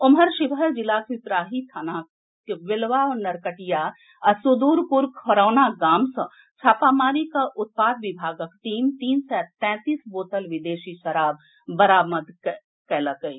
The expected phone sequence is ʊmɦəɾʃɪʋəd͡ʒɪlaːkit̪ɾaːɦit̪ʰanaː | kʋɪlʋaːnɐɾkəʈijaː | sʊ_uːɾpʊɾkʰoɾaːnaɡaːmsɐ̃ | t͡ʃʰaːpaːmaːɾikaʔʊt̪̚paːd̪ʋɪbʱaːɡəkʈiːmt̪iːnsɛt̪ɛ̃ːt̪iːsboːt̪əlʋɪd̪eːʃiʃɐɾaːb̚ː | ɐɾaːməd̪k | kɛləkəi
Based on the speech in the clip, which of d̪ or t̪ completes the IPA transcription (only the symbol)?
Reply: d̪